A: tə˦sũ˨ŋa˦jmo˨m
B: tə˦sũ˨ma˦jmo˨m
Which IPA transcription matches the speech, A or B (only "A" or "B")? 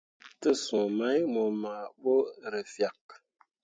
B